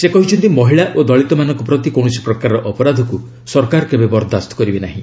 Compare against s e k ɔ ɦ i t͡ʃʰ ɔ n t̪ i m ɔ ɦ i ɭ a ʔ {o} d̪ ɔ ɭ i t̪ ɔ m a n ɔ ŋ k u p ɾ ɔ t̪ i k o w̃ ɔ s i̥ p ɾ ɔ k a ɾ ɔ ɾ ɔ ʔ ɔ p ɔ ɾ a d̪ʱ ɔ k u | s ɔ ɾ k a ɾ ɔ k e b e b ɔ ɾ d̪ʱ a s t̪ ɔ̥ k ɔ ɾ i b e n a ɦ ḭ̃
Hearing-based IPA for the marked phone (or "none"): o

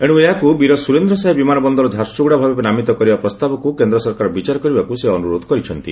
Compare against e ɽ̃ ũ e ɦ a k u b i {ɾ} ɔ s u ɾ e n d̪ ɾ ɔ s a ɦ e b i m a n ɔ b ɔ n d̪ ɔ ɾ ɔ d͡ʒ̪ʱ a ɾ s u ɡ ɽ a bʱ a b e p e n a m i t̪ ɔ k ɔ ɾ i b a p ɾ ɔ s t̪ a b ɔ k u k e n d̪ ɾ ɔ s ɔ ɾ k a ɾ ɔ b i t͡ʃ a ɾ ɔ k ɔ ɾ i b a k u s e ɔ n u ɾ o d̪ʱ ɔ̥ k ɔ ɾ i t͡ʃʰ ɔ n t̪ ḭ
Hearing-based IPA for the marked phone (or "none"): ɾ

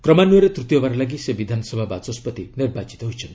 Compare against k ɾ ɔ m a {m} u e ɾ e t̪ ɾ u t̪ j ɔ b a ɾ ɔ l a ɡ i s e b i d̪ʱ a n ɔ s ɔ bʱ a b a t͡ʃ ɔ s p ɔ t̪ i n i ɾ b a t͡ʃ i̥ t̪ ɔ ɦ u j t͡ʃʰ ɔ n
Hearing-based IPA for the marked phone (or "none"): n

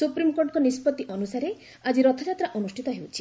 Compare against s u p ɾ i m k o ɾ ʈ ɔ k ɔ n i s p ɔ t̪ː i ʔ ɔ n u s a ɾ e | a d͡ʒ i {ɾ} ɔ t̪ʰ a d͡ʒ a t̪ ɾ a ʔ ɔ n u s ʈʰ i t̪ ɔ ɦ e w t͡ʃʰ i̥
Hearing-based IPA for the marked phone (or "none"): ɾ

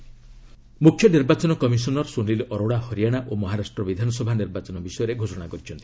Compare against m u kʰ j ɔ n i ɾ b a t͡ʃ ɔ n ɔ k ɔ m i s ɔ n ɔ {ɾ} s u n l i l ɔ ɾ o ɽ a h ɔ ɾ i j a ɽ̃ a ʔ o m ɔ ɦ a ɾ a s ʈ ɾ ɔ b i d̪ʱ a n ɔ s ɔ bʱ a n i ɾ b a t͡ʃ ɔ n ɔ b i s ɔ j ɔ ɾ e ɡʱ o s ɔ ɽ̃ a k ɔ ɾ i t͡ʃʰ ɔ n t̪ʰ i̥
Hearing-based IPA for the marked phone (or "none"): ɾ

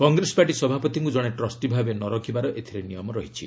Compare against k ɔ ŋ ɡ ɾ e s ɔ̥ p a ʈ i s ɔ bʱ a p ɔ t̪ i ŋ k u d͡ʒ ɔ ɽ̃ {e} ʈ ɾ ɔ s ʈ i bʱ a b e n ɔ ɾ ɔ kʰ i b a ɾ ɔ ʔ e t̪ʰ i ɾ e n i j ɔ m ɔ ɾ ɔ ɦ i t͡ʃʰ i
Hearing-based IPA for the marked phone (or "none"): e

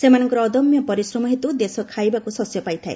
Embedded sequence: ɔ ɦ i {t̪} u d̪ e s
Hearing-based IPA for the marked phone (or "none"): t̪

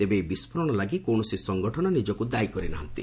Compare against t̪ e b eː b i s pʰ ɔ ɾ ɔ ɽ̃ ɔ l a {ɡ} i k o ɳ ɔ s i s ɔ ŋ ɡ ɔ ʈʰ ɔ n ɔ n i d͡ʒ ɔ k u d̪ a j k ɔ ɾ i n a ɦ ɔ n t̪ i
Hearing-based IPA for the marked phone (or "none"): ɡ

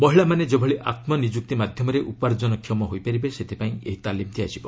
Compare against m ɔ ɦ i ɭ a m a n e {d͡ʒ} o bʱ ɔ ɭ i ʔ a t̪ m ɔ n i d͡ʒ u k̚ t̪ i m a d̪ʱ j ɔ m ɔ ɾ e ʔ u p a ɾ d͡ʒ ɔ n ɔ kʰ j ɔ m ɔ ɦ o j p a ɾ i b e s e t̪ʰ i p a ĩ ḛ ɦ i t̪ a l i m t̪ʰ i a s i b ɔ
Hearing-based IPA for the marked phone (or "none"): d͡ʒ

